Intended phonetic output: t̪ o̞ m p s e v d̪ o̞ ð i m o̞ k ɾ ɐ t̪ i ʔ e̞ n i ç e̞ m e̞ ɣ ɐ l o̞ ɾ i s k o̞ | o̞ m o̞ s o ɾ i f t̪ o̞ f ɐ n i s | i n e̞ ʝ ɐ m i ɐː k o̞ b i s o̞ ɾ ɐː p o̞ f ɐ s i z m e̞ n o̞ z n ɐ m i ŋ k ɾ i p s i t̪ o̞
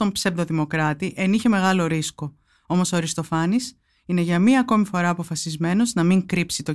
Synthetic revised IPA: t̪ o̞ m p s e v d̪ o̞ ð i m o̞ k ɾ ɐ t̪ i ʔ e̞ n i ç e̞ m e̞ ɣ ɐ l o̞ ɾ i s k o̞ | o̞ m o̞ s o ɾ i s t̪ o̞ f ɐ n i s | i n e̞ ʝ ɐ m i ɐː k o̞ m i f o̞ ɾ ɐː p o̞ f ɐ s i z m e̞ n o̞ z n ɐ m i ŋ k ɾ i p s i t̪ o̞